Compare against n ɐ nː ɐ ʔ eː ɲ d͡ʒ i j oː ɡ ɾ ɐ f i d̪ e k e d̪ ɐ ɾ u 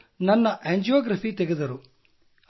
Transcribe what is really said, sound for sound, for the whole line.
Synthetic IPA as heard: n ɐ nː ɐ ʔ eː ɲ d͡ʒ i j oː ɡ ɾ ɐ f i t̪ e ɡ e d̪ ɐ ɾ u

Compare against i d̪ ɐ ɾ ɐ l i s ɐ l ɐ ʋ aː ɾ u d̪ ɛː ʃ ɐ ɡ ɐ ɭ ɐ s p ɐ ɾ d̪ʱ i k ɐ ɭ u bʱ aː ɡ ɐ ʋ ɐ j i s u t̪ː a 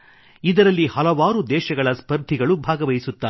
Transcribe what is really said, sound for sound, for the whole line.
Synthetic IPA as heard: i d̪ ɐ ɾ ɐ lː i h ɐ l ɐ ʋ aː ɾ u d̪ ɛː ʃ ɐ ɡ ɐ ɭ ɐ s p ɐ ɾ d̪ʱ i ɡ ɐ ɭ u bʱ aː ɡ ɐ ʋ ɐ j i s u t̪ː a

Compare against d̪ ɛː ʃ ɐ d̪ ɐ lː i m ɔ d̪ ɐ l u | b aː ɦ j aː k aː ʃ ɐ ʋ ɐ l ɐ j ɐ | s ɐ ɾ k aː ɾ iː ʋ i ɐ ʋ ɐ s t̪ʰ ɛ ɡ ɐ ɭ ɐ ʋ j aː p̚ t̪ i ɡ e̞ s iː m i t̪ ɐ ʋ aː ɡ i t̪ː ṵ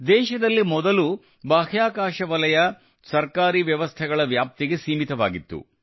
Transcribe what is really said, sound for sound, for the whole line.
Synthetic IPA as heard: d̪ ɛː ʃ ɐ d̪ ɐ lː i m ɔ d̪ ɐ l u | b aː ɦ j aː k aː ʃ ɐ ʋ ɐ l ɐ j ɐ | s ɐ ɾ k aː ɾ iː ʋ j ɐ ʋ ɐ s t̪ʰ ɛ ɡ ɐ ɭ ɐ ʋ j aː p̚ t̪ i ɡ e̞ s iː m i t̪ ɐ ʋ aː ɡ i t̪ː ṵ

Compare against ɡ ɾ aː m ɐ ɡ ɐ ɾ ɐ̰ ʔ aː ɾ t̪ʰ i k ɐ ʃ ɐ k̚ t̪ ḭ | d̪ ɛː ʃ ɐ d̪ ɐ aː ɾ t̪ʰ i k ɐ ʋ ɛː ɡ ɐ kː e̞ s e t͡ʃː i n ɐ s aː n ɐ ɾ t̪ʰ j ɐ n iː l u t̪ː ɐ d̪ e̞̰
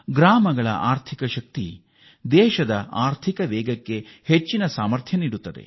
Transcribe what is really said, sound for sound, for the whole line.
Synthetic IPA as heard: ɡ ɾ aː m ɐ ɡ ɐ ɭ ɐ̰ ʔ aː ɾ t̪ʰ i k ɐ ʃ ɐ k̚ t̪ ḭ | d̪ ɛː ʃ ɐ d̪ ɐ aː ɾ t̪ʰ i k ɐ ʋ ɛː ɡ ɐ kː e̞ h e t͡ʃː i n ɐ s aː m ɐ ɾ t̪ʰ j ɐ n iː ɽ u t̪ː ɐ d̪ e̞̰

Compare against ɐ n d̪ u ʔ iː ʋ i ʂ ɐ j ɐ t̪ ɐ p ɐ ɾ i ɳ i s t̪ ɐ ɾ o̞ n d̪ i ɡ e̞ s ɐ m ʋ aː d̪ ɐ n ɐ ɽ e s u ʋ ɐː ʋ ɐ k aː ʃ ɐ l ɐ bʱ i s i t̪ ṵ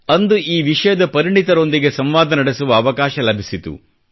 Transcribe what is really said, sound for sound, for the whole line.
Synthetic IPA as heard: ɐ n d̪ u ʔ iː ʋ i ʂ ɐ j ɐ d̪ ɐ p ɐ ɾ i ɳ i t̪ ɐ ɾ o̞ n d̪ i ɡ e̞ s ɐ m ʋ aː d̪ ɐ n ɐ ɽ e s u ʋ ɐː ʋ ɐ k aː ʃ ɐ l ɐ bʱ i s i t̪ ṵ

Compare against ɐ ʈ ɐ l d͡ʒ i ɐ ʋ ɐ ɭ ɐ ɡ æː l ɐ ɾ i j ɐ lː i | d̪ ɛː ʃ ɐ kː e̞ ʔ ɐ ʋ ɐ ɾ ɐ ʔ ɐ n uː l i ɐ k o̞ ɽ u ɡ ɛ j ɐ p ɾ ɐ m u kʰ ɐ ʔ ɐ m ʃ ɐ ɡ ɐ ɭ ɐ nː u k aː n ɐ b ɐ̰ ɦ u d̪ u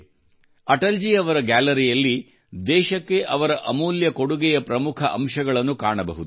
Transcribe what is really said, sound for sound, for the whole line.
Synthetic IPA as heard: ɐ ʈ ɐ l d͡ʒ i ɐ ʋ ɐ ɾ ɐ ɡ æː l ɐ ɾ i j ɐ lː i | d̪ ɛː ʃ ɐ kː e̞ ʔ ɐ ʋ ɐ ɾ ɐ ʔ ɐ m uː l j ɐ k o̞ ɽ u ɡ ɛ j ɐ p ɾ ɐ m u kʰ ɐ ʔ ɐ m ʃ ɐ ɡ ɐ ɭ ɐ nː u k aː ɳ ɐ b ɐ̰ ɦ u d̪ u

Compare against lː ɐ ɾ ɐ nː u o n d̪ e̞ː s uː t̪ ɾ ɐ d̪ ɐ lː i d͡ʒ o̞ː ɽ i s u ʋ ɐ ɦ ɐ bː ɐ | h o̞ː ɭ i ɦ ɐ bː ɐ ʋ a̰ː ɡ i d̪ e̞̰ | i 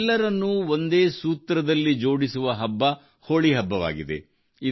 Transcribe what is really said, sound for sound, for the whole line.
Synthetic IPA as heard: lː ɐ ɾ ɐ nː u o n d̪ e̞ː s uː t̪ ɾ ɐ d̪ ɐ lː i d͡ʒ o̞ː ɽ i s u ʋ ɐ ɦ ɐ bː ɐ | h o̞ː ɭ i ɦ ɐ bː ɐ ʋ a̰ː ɡ i d̪ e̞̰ | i

